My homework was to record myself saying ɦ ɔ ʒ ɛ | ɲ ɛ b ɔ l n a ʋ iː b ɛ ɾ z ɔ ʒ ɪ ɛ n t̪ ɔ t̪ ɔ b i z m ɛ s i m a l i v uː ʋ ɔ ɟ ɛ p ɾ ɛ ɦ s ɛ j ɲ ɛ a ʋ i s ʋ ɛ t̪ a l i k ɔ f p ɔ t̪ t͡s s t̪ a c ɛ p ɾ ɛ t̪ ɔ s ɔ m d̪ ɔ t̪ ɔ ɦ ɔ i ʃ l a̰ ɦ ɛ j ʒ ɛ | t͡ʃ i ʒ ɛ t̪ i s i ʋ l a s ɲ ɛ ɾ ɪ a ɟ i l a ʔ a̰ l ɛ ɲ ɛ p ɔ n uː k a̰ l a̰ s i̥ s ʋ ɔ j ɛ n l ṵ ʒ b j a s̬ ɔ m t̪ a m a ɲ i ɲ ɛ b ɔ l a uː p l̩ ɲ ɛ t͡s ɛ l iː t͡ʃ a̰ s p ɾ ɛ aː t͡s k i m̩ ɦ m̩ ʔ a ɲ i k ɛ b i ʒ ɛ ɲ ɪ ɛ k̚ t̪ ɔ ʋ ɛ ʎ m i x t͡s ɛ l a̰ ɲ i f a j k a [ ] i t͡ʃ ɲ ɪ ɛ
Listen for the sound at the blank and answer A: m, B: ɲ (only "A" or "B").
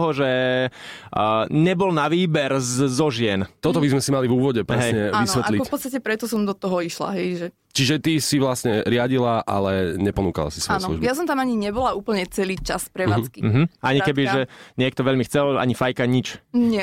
B